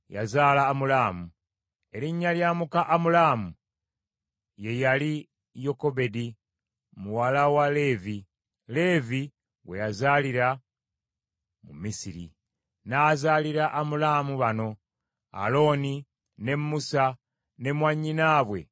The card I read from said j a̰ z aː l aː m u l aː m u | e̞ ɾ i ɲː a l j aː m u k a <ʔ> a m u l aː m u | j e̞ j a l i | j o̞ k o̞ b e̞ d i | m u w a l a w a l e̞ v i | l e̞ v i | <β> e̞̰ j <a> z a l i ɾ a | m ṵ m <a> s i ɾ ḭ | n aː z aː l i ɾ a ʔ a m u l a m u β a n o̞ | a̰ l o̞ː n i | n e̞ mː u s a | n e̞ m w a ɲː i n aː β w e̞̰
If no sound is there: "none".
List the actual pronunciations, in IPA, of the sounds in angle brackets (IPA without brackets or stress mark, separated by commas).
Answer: ʔ, w, a, i